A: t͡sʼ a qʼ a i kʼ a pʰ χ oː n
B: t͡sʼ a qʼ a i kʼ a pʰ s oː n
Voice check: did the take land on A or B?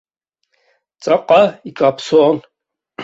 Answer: B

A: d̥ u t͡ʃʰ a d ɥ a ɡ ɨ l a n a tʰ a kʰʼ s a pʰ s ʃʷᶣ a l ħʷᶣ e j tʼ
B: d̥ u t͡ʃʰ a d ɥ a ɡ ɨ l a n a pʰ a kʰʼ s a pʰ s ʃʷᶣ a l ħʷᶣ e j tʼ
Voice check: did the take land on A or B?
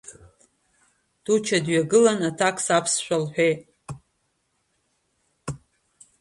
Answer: A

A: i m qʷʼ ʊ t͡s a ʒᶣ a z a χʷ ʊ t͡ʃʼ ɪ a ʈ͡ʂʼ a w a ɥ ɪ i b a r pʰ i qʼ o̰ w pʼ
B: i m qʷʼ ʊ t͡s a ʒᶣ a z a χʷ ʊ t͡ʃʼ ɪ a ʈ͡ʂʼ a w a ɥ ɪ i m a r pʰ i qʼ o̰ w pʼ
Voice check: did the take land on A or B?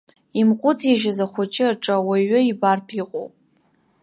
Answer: A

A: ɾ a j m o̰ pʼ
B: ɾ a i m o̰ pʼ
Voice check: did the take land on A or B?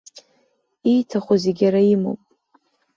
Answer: B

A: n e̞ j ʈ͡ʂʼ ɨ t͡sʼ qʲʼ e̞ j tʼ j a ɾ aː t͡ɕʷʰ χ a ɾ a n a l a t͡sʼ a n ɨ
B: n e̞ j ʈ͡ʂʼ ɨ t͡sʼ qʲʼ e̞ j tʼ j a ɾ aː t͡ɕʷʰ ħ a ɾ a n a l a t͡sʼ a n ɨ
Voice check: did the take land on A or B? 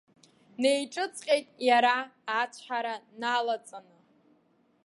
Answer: B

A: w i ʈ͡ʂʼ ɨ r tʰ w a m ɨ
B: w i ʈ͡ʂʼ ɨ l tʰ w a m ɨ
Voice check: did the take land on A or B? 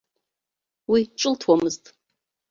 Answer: B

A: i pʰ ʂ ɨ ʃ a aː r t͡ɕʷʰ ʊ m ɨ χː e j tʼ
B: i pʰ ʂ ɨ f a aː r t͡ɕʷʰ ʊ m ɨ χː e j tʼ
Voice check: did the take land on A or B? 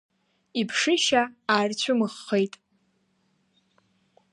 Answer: A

